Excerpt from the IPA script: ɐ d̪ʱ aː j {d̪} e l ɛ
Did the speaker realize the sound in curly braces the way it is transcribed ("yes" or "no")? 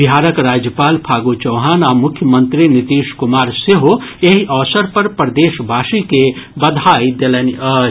yes